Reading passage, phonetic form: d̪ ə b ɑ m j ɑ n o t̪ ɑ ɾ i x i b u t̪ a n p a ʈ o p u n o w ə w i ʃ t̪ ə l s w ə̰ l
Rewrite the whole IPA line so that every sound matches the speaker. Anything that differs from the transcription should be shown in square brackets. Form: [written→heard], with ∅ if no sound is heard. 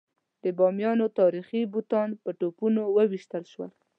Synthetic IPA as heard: d̪ ə b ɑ m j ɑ n o t̪ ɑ ɾ i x i b u t̪ [a→ɑ] n p [a→ə] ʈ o p u n o w ə w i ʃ t̪ ə l [s→ʃ] w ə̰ l